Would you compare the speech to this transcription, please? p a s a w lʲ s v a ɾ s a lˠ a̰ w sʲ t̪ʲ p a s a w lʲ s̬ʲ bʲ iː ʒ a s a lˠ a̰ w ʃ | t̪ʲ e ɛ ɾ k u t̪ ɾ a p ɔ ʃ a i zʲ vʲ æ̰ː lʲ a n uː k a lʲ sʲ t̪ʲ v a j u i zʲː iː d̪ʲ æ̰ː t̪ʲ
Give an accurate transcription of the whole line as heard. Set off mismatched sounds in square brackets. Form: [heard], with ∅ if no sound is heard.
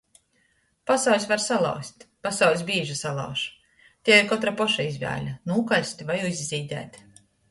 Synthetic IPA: p a s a w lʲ s v a ɾ s a lˠ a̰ w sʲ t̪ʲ p a s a w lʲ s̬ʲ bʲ iː ʒ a s a lˠ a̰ w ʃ | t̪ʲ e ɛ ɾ k [ɔ] t̪ ɾ a p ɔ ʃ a i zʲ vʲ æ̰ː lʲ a n uː k a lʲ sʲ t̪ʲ v a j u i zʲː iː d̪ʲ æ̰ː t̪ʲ

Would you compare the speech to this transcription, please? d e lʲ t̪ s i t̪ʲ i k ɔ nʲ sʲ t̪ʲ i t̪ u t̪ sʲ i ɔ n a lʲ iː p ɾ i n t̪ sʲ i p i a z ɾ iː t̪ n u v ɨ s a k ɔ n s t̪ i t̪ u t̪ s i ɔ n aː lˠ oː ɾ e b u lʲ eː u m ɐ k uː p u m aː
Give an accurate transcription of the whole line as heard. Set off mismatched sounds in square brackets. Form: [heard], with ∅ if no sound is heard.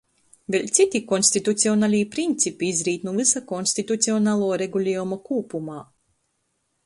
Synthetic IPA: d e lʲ t̪ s i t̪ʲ i k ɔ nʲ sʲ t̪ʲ i t̪ u t̪ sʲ i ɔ n a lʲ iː p ɾ i n t̪ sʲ i p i [i] z ɾ iː t̪ n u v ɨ s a k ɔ n s t̪ i t̪ u t̪ s i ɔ n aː lˠ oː ɾ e [ɡ] u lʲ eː u m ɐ k uː p u m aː

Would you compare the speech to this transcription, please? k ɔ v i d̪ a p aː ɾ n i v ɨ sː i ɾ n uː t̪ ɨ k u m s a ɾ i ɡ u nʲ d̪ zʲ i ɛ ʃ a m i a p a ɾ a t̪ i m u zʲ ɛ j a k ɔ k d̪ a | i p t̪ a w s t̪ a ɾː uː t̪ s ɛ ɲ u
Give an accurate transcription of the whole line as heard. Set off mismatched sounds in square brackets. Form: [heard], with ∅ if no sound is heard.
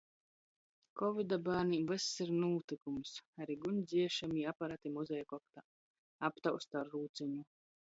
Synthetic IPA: k ɔ v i d̪ a [b] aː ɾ n i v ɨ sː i ɾ n uː t̪ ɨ k u m s a ɾ i ɡ u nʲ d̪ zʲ i ɛ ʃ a m i a p a ɾ a t̪ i m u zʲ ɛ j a k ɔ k [t̪] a | [a] p t̪ a w s t̪ a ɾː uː t̪ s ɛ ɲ u

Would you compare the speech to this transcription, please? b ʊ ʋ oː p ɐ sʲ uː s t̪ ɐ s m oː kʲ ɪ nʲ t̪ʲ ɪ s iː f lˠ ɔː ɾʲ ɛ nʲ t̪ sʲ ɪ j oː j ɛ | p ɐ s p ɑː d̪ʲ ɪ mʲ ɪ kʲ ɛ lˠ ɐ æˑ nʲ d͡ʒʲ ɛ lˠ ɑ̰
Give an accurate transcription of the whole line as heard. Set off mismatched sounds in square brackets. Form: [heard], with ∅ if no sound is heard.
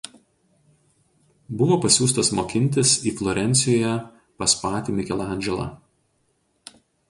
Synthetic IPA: b ʊ ʋ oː p ɐ sʲ uː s t̪ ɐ s m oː kʲ ɪ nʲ t̪ʲ ɪ s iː f lˠ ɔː ɾʲ ɛ nʲ t̪ sʲ ɪ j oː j ɛ | p ɐ s p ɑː [t̪ʲ] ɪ mʲ ɪ kʲ ɛ lˠ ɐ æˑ nʲ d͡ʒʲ ɛ lˠ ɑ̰

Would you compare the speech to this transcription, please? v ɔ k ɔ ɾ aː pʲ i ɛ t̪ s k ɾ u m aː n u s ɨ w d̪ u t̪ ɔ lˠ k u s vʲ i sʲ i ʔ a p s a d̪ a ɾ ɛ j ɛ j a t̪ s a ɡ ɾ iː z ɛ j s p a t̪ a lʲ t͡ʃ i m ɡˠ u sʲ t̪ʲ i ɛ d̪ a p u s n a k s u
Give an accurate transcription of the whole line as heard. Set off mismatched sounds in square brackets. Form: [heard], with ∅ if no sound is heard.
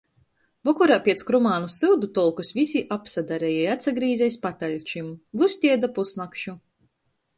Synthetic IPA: v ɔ k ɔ ɾ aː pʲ i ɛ t̪ s k ɾ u m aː n u s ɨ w d̪ u t̪ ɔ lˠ k u s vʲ i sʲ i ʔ a p s a d̪ a ɾ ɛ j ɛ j a t̪ s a ɡ ɾ iː z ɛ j s p a t̪ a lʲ t͡ʃ i m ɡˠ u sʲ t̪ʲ i ɛ d̪ a p u s n a k [ʃ] u

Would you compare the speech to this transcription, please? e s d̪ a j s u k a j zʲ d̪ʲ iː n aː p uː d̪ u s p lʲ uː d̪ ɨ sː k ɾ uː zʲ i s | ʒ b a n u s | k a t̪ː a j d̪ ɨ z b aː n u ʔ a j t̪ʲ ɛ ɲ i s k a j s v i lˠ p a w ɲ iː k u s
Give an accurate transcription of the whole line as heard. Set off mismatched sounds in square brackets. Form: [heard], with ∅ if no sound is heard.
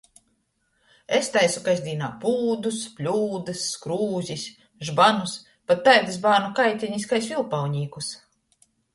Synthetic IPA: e s [t̪] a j s u k a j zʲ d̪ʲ iː n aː p uː d̪ u s p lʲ uː d̪ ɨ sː k ɾ uː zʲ i s | ʒ b a n u s | [p] a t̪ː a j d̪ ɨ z b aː n u [k] a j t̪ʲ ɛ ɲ i s k a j s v i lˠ p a w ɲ iː k u s

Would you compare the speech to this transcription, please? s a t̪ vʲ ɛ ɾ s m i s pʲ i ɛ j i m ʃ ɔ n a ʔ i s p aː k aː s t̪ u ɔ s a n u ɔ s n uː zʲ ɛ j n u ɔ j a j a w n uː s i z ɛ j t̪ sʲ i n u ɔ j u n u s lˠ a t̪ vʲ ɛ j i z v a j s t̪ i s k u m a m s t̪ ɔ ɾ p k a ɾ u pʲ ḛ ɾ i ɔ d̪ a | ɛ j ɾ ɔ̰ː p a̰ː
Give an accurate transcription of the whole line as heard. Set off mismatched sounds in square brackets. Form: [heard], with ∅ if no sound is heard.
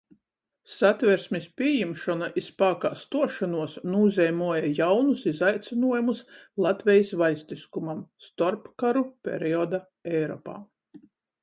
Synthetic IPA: s a t̪ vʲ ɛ ɾ s m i s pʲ i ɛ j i m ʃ ɔ n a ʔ i s p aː k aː s t̪ u ɔ [ʃ] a n u ɔ s n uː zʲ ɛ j [m] u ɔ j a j a w n [u] s i z [a] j t̪ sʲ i n u ɔ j u [m] u s lˠ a t̪ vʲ ɛ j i [s] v a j s t̪ i s k u m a m s t̪ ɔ ɾ p k a ɾ u pʲ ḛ ɾ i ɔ d̪ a | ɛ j ɾ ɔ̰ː p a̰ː

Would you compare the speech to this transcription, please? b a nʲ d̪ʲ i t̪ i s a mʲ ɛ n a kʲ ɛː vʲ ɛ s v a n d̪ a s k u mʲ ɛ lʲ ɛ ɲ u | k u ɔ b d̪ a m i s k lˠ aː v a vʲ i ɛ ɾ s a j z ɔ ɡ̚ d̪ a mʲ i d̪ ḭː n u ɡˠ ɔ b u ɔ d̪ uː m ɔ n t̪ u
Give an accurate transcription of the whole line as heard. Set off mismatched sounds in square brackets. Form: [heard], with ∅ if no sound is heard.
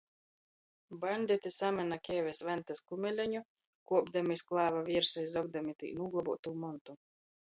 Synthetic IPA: b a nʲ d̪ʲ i t̪ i s a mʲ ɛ n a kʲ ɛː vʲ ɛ s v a n [t̪] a s k u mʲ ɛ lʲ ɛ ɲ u | k u ɔ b d̪ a m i s k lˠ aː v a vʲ i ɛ ɾ s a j z ɔ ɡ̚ d̪ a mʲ i [t̪] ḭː n u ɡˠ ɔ b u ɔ [t̪] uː m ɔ n t̪ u

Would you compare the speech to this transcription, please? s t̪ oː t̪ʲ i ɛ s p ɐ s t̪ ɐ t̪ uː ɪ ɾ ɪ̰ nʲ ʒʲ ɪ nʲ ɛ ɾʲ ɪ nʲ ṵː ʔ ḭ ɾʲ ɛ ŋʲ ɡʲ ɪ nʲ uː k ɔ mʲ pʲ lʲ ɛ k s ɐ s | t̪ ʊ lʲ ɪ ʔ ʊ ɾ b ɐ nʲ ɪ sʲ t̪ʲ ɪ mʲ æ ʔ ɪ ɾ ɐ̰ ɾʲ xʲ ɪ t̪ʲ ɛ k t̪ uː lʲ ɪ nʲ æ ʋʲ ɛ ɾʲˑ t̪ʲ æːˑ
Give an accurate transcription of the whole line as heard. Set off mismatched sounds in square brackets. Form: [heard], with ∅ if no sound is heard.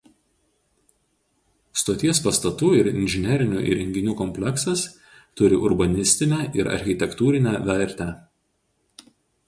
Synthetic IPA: s t̪ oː t̪ʲ i ɛ s p ɐ s t̪ ɐ t̪ uː ɪ ɾ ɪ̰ nʲ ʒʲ ɪ nʲ ɛ ɾʲ ɪ nʲ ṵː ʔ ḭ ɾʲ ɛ ŋʲ ɡʲ ɪ nʲ uː k ɔ mʲ pʲ lʲ ɛ k s ɐ s | t̪ ʊ [ɾʲ] ɪ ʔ ʊ ɾ b ɐ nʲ ɪ sʲ t̪ʲ ɪ [nʲ] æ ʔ ɪ ɾ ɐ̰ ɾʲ xʲ ɪ t̪ʲ ɛ k t̪ uː [ɾʲ] ɪ nʲ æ ʋʲ ɛ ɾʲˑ t̪ʲ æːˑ

